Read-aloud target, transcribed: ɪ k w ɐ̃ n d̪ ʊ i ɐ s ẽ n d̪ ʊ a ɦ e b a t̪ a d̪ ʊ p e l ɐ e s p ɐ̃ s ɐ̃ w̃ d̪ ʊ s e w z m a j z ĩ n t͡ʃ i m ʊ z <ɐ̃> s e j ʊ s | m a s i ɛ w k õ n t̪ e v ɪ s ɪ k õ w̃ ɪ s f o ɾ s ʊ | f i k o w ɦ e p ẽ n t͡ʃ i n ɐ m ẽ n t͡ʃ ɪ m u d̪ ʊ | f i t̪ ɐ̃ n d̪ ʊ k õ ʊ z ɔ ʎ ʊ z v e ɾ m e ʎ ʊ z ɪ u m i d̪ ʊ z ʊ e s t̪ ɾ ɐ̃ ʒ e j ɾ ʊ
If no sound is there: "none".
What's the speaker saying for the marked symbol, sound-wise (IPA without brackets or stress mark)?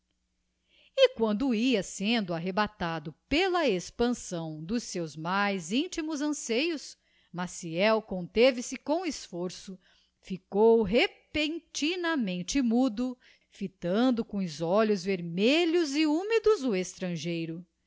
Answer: ɐ̃